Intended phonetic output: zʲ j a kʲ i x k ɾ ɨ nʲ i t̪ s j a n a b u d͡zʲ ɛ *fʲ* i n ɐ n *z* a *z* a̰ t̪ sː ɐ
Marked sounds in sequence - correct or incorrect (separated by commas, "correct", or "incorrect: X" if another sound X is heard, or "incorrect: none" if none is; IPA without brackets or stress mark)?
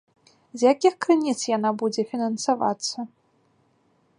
correct, incorrect: s, incorrect: v